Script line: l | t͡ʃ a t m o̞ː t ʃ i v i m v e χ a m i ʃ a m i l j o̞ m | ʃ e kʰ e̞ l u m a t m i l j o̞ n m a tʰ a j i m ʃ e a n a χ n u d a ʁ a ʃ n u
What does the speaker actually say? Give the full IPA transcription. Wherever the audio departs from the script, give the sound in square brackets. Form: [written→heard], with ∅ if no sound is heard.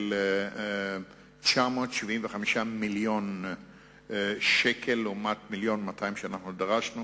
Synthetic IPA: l | t͡ʃ a [t→∅] m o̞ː t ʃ i v i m v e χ a m i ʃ a m i l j o̞ [m→n] | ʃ e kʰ e̞ l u m a t m i l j o̞ n m a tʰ a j i m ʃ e a n a χ n u d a ʁ a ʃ n u